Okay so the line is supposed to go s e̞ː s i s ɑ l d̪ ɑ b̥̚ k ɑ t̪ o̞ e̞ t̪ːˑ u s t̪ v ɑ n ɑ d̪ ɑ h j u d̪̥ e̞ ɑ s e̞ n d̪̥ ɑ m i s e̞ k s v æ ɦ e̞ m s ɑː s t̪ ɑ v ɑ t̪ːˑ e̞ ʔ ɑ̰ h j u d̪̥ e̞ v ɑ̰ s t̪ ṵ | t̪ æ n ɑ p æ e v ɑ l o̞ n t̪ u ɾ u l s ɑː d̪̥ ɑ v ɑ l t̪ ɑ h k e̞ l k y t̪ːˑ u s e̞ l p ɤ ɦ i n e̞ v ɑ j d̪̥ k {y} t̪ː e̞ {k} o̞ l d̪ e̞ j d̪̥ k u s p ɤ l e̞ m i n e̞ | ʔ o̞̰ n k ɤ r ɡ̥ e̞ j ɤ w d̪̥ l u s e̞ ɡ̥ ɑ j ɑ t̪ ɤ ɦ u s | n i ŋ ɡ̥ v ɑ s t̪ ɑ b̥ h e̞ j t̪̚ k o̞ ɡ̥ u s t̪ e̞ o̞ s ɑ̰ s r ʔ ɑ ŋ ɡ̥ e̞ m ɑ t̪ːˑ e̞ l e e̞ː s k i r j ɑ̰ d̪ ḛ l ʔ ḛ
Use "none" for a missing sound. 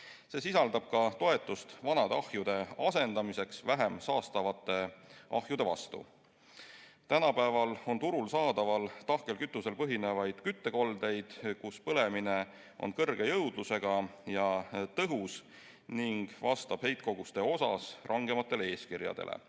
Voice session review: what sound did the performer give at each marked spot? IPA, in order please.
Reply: y, k

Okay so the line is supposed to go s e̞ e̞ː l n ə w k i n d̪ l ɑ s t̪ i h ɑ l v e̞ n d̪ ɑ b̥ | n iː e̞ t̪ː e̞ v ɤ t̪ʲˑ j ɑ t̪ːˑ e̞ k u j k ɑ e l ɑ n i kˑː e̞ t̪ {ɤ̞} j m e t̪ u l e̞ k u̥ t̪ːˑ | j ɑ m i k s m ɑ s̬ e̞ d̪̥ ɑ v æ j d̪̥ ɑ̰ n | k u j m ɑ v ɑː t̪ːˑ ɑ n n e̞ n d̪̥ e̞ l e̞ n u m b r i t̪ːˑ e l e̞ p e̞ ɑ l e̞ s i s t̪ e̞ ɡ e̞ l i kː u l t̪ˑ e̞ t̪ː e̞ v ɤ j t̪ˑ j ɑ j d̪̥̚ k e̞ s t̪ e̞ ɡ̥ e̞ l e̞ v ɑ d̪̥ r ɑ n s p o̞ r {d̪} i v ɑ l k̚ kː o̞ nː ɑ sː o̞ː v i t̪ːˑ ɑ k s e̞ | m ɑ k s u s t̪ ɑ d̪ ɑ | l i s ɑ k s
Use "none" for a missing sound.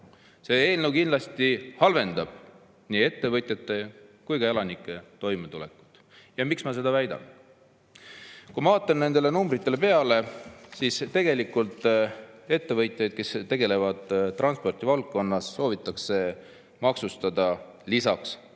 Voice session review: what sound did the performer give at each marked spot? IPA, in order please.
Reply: o̞, t̪

